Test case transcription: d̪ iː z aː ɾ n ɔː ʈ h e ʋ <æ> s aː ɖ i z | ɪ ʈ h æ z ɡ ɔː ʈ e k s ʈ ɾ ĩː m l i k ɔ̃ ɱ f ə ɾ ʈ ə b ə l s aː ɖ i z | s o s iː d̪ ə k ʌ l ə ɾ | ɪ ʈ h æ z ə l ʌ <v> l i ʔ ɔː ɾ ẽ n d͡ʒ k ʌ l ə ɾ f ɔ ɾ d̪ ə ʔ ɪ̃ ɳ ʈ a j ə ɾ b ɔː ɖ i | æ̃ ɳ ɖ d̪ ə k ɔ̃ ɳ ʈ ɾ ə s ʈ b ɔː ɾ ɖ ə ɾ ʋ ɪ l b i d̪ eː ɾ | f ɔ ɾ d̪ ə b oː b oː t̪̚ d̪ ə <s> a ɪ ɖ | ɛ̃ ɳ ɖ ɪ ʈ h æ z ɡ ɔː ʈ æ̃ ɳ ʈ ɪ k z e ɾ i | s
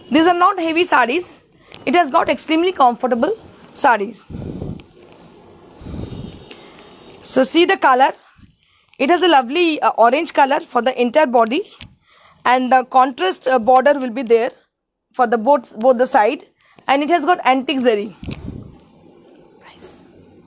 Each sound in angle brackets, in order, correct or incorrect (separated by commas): incorrect, incorrect, correct